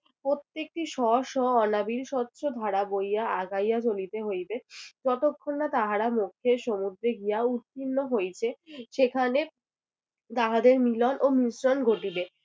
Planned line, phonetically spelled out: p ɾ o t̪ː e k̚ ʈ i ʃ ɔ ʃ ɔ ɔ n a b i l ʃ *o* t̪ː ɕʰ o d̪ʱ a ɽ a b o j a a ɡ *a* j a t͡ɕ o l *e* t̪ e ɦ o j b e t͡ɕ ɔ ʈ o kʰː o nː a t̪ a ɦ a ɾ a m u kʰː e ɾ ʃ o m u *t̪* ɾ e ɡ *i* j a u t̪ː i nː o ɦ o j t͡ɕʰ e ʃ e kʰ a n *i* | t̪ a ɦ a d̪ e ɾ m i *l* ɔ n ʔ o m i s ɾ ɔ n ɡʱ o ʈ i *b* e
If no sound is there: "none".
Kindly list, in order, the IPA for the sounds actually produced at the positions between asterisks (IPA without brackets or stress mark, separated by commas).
ɔ, a, i, d̪, i, e, l, b